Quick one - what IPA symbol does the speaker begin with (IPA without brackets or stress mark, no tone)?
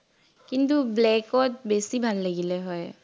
k